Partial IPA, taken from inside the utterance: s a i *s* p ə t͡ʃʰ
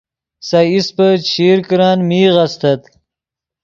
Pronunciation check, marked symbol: correct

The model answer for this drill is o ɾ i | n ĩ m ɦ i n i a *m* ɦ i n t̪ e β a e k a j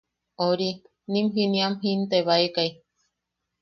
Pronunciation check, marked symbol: correct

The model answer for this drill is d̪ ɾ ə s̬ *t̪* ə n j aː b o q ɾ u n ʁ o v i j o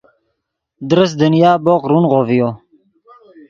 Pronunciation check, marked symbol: incorrect: d̪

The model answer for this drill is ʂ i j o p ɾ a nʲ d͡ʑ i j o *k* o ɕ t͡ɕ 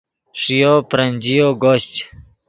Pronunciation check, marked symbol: incorrect: ɡ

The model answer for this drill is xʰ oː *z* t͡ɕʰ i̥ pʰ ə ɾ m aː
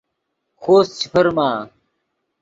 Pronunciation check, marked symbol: incorrect: s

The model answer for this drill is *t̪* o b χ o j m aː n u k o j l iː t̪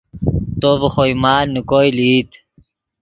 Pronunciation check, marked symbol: correct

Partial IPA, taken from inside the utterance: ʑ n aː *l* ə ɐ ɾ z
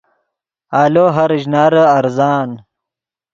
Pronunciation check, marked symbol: incorrect: ɾ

